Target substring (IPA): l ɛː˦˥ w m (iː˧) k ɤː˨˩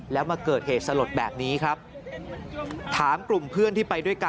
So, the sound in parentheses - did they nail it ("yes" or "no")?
no